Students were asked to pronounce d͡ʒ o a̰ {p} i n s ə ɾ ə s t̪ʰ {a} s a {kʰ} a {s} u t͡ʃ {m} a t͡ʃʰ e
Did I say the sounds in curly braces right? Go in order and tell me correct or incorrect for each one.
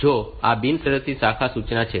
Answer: incorrect: b, incorrect: i, correct, correct, incorrect: n

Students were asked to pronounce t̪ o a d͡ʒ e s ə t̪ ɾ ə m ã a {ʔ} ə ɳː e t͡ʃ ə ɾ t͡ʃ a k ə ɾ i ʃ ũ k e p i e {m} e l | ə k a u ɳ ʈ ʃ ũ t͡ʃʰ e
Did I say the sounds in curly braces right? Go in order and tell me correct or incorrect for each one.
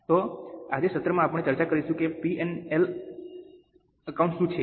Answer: incorrect: p, incorrect: n

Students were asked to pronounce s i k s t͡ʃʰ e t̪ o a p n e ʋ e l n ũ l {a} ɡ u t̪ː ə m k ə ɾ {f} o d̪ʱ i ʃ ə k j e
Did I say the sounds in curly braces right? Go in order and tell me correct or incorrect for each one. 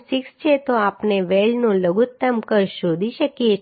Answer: incorrect: ə, incorrect: ʃ

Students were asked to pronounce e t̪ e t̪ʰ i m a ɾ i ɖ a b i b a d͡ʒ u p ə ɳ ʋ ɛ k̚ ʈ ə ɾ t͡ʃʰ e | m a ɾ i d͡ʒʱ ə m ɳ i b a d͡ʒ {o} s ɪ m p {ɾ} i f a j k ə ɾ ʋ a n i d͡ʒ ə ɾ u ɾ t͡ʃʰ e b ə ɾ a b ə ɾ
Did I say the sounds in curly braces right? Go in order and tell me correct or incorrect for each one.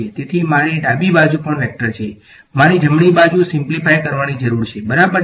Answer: incorrect: u, incorrect: l

